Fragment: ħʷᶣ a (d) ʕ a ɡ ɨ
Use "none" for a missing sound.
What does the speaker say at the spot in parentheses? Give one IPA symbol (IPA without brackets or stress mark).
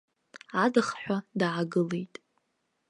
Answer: d